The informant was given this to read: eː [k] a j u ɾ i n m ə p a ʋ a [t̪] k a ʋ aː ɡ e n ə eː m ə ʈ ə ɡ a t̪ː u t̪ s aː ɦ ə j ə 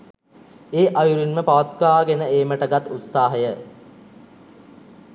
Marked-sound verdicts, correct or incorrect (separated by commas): incorrect, correct